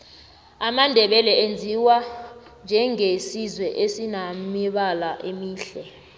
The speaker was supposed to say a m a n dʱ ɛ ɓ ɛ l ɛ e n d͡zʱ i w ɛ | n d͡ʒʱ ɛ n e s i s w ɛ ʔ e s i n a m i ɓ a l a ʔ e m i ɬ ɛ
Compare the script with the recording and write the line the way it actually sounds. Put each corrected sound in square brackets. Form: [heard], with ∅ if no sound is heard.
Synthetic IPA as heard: a m a n dʱ ɛ ɓ ɛ l ɛ e n d͡zʱ i w [a] | n d͡ʒʱ ɛ [ŋ] e s i [z] w ɛ ʔ e s i n a m i ɓ a l a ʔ e m [iː] ɬ ɛ